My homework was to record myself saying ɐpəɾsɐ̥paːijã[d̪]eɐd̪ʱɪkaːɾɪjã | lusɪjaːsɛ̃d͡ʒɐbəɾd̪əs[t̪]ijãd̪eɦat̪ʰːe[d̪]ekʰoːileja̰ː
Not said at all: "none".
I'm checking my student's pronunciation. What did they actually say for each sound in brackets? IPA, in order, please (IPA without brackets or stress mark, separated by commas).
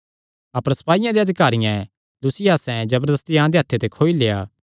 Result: d̪, t̪, t̪